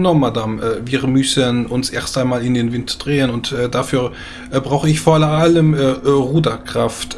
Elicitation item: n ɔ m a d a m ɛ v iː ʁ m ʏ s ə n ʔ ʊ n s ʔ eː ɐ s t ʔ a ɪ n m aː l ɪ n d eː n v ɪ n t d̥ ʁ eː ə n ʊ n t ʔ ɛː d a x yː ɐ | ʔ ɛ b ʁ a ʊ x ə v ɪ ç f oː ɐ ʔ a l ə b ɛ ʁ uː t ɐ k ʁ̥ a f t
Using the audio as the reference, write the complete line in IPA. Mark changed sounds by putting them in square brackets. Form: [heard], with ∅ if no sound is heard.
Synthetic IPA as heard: n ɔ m a d a m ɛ v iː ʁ m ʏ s ə n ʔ ʊ n s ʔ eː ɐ s t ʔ a ɪ n m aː l ɪ n d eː n v ɪ n t d̥ ʁ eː ə n ʊ n t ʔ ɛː d a [f] yː ɐ | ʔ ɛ b ʁ a ʊ x ə [∅] ɪ ç f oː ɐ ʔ a l ə [m] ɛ ʁ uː [d] ɐ k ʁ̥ a f t

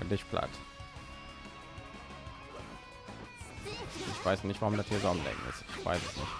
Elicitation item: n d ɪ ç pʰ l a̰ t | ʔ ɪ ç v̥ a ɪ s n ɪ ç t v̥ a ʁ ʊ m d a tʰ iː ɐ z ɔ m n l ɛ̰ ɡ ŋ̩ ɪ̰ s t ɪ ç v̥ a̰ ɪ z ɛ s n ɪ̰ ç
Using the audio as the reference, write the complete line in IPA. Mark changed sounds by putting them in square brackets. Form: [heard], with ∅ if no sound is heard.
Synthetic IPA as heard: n d ɪ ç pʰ l a̰ t | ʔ ɪ ç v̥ a ɪ s n ɪ ç t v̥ a ʁ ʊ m d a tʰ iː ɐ z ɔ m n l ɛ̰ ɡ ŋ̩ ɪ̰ s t ɪ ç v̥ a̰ ɪ [s] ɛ s n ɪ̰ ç

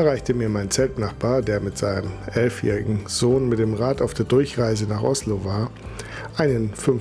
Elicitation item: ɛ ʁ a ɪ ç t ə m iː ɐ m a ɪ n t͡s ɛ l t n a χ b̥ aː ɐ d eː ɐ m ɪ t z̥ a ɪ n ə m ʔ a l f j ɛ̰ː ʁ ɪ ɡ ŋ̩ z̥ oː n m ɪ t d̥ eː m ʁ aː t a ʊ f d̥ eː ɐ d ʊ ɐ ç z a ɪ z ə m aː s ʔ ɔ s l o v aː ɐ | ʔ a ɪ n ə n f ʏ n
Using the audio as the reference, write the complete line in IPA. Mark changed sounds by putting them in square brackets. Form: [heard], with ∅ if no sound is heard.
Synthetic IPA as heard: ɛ ʁ a ɪ ç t ə m iː ɐ m a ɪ n t͡s ɛ l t n a χ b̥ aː ɐ d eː ɐ m ɪ t z̥ a ɪ n ə m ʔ [ɛ] l f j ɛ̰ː ʁ ɪ ɡ ŋ̩ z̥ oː n m ɪ t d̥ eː m ʁ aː t a ʊ f d̥ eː ɐ d ʊ ɐ ç [ʁ] a ɪ z ə [n] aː [χ] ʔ ɔ s l o v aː ɐ | ʔ a ɪ n ə n f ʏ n

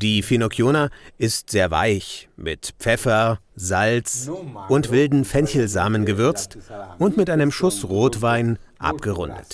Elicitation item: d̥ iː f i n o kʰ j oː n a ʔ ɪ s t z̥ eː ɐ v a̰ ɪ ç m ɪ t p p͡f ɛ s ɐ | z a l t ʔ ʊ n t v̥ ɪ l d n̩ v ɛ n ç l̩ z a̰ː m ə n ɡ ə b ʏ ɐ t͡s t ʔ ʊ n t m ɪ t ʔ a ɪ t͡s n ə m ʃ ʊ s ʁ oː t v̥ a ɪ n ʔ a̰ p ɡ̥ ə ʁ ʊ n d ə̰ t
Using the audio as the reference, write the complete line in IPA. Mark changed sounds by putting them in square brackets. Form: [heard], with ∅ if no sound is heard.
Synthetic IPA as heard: d̥ iː f i n o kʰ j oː n a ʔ ɪ s t z̥ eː ɐ v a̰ ɪ ç m ɪ t p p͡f ɛ [f] ɐ | z a l [t͡s] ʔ ʊ n t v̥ ɪ l d n̩ [f] ɛ n ç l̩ z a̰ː m ə n ɡ ə [v] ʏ ɐ t͡s t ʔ ʊ n t m ɪ t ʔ a ɪ [∅] n ə m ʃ ʊ s ʁ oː t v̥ a ɪ n ʔ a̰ p ɡ̥ ə ʁ ʊ n d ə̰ t

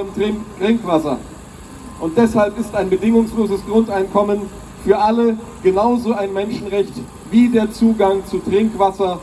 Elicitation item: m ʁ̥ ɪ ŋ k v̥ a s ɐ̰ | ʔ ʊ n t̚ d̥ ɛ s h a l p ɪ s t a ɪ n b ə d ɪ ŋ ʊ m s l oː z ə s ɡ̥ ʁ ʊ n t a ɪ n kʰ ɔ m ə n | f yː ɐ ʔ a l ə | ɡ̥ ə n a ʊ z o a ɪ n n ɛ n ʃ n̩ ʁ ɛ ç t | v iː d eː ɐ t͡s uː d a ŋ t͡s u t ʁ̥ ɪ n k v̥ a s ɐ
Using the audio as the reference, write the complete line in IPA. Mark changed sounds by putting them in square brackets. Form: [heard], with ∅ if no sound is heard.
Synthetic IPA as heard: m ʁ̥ ɪ ŋ k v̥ a s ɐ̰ | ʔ ʊ n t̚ d̥ ɛ s h a l p ɪ s t a ɪ n b ə d ɪ ŋ ʊ [ŋ] s l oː z ə s ɡ̥ ʁ ʊ n t a ɪ n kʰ ɔ m ə n | f yː ɐ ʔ a l ə | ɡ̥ ə n a ʊ z o a ɪ n [m] ɛ n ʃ n̩ ʁ ɛ ç t | v iː d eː ɐ t͡s uː [ɡ] a ŋ t͡s u t ʁ̥ ɪ [ŋ] k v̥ a s ɐ

